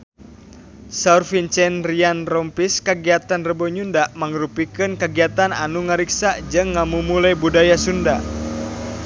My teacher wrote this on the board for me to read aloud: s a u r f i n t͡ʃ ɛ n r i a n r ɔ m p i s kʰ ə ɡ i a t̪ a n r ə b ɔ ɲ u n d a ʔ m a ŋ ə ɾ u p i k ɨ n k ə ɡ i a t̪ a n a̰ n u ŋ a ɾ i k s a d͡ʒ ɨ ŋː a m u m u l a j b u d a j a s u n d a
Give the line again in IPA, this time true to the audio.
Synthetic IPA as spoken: s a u r f i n t͡ʃ ɛ n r i a n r ɔ m p i s k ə ɡ i a t̪ a n r ə b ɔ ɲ u n d a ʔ m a ŋ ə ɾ u p i k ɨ n k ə ɡ i a t̪ a n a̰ n u ŋ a ɾ i k s a d͡ʒ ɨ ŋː a m u m u l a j b u d a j a s u n d a